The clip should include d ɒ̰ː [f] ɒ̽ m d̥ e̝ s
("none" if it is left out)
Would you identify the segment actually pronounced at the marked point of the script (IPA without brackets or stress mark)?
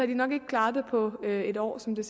s